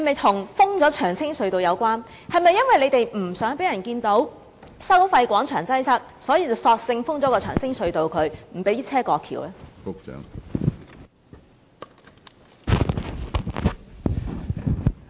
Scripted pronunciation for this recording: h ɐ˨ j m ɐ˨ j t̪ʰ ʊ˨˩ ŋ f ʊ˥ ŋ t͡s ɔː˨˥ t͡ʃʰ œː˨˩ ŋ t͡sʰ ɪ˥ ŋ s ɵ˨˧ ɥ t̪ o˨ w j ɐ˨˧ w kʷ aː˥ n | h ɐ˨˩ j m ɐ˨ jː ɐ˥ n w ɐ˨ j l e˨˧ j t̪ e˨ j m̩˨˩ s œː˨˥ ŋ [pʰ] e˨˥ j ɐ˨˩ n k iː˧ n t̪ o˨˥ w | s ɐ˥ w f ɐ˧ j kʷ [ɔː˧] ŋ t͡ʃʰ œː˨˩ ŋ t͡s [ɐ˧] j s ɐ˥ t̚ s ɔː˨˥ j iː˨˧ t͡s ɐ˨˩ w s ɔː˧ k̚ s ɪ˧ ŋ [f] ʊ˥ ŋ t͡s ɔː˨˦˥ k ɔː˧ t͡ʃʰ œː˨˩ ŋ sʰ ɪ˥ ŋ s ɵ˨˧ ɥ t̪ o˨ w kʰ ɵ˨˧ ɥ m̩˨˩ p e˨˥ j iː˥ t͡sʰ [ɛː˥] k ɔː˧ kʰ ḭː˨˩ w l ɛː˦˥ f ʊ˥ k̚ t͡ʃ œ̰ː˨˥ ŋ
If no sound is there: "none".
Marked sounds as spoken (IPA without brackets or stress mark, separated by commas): p, ɔː˨˥, ɐ˥, f, ɛː˥